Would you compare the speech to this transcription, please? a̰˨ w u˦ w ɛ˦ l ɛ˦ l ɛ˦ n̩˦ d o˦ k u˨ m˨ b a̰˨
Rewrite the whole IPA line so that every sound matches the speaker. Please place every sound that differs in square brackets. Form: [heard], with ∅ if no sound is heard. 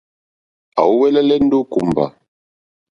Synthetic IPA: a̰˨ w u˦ w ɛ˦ l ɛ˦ l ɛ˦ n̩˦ d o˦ k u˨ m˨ b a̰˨

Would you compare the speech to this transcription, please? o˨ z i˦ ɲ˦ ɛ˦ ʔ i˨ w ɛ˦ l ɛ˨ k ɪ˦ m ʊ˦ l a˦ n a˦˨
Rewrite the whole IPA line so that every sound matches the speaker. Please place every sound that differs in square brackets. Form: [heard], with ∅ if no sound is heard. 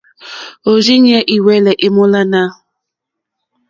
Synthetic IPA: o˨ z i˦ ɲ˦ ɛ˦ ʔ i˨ w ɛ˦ l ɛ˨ [ʔ] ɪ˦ m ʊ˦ l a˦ n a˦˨

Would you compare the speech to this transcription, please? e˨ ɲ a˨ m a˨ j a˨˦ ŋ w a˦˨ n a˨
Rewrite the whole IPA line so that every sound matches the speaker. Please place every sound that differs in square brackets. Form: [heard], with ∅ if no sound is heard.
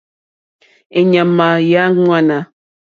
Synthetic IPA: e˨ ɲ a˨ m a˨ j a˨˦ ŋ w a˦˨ n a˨

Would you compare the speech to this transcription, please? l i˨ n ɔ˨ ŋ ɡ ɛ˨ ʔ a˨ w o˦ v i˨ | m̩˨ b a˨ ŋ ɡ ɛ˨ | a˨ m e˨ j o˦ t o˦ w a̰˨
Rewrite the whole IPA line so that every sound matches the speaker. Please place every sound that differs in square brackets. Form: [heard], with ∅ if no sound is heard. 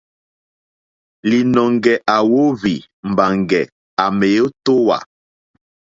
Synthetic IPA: l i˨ n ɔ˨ ŋ ɡ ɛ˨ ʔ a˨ w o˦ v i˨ | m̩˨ b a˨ ŋ ɡ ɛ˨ | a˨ m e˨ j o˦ t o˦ w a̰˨

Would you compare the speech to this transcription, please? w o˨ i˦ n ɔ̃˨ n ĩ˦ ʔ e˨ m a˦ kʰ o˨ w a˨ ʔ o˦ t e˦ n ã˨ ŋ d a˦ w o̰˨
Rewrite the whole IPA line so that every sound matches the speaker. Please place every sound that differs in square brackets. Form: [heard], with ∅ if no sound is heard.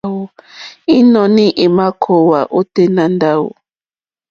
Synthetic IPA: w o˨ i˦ n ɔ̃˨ n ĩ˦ ʔ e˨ m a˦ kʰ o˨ w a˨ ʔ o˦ t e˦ n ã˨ [n] d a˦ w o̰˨

